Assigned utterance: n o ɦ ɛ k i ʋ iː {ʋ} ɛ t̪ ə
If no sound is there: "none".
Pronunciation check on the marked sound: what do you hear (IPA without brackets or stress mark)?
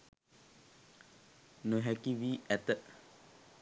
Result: none